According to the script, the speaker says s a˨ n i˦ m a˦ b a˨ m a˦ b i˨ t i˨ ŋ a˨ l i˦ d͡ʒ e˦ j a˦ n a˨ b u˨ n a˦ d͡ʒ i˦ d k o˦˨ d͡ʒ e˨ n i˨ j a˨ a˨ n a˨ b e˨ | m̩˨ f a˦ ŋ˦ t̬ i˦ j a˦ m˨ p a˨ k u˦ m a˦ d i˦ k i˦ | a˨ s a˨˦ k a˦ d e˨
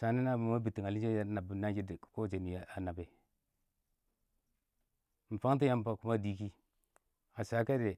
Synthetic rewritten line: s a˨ n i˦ n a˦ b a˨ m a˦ b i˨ t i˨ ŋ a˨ l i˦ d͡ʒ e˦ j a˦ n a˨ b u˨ n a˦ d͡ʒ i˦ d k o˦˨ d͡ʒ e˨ n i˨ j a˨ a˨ n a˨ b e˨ | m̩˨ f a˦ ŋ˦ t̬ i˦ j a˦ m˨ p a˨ k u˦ m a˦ d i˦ k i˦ | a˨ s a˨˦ k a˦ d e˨

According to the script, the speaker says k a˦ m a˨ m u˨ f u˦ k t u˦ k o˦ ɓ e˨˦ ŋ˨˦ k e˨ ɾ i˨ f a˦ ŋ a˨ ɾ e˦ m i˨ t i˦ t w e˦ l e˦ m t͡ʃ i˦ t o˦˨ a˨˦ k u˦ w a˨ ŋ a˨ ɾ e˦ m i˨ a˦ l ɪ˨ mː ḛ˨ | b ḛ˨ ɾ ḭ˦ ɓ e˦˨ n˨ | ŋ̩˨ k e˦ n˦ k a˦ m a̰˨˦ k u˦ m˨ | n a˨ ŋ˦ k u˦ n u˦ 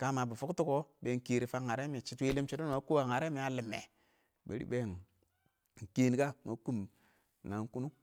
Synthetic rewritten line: k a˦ m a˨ b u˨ f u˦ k t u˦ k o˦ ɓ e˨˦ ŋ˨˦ k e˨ ɾ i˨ f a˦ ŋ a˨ ɾ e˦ m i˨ t͡ʃ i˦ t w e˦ l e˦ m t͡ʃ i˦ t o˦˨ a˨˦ k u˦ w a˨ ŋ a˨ ɾ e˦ m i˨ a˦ l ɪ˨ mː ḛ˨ | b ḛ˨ ɾ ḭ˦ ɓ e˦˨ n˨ | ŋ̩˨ k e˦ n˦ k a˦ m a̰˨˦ k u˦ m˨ | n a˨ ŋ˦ k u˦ n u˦

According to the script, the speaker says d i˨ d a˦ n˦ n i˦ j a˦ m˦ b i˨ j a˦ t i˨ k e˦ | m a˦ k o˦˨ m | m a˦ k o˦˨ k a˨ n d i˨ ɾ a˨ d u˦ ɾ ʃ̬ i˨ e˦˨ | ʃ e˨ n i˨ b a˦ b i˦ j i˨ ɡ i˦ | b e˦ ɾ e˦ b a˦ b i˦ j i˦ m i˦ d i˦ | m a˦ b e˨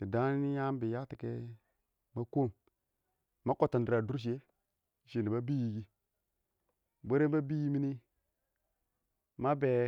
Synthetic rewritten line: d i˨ d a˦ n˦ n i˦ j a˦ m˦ b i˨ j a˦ t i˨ k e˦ | m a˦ k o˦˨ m | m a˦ k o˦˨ t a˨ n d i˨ ɾ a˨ d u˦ ɾ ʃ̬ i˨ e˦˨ | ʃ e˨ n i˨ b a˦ b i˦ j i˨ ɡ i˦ | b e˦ ɾ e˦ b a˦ b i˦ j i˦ m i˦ n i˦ | m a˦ b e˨

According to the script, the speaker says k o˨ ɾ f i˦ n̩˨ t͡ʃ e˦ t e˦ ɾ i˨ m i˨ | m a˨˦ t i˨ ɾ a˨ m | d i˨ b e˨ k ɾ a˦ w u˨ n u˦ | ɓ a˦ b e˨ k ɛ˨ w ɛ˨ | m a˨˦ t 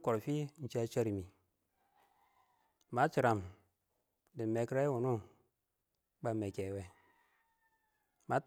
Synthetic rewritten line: k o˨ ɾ f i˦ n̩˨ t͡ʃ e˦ t͡ʃ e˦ ɾ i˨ m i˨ | m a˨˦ t͡ʃ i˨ ɾ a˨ m | d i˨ m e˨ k ɾ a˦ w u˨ n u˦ | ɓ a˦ m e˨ k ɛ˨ w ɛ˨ | m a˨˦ t

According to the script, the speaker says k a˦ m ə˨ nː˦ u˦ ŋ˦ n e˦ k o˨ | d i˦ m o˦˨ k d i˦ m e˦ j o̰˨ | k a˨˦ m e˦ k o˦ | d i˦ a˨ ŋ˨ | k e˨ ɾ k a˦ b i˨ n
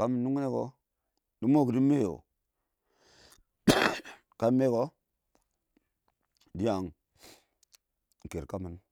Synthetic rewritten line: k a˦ m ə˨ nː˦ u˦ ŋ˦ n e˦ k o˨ | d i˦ m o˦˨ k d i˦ m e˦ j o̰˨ | k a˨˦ m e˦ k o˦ | d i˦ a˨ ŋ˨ | k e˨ ɾ k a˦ m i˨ n

